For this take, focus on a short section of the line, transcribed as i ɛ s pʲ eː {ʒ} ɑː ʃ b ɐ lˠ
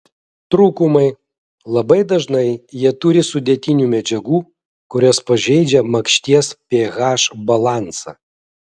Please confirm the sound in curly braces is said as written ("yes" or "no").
no